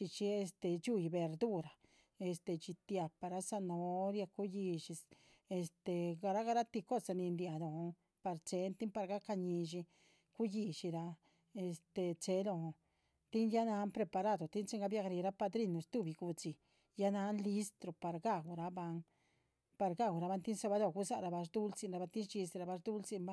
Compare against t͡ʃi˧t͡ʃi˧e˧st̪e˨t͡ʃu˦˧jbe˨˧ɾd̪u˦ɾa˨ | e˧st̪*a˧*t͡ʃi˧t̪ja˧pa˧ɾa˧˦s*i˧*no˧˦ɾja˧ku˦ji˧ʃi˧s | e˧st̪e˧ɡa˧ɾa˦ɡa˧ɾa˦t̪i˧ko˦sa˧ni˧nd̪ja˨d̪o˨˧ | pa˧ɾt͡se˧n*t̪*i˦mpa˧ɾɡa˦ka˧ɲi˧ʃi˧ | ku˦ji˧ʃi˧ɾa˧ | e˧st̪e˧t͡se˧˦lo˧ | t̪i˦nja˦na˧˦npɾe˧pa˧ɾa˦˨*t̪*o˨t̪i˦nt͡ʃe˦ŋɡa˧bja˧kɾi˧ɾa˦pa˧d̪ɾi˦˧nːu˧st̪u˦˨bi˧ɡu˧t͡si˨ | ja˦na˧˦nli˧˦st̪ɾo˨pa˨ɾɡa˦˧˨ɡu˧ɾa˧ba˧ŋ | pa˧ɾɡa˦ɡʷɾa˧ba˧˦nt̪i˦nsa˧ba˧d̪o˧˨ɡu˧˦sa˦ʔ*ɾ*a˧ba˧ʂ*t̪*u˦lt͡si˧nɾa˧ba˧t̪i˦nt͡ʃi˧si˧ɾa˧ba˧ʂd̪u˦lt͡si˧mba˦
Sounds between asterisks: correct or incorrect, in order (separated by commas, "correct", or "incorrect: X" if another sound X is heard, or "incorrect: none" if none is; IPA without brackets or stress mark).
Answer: incorrect: e˧, incorrect: a˧, correct, incorrect: d̪, correct, incorrect: d̪